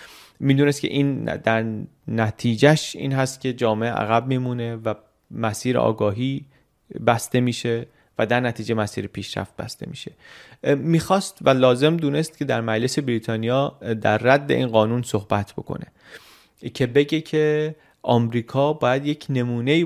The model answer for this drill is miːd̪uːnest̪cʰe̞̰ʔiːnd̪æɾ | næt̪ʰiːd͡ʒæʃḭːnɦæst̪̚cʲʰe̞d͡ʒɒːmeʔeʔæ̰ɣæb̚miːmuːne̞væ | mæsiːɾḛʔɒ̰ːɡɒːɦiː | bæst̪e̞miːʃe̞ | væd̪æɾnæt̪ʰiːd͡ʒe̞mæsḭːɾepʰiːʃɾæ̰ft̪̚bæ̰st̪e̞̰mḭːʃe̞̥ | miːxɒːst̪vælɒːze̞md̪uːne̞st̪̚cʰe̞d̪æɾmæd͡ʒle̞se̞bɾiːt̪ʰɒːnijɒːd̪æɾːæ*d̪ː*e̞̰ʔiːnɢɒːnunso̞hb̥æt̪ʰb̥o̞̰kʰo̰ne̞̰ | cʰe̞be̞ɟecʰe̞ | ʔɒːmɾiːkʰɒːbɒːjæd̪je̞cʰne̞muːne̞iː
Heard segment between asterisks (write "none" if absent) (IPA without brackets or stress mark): d̪ː